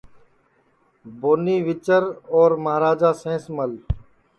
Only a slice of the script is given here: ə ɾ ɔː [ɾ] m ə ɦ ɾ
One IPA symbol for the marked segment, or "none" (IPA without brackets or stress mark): ɾ